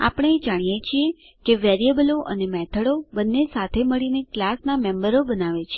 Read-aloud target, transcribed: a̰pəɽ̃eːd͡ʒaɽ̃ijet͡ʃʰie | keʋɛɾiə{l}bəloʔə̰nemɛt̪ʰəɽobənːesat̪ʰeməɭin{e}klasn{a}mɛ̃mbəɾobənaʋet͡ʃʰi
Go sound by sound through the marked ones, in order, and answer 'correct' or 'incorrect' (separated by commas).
incorrect, correct, correct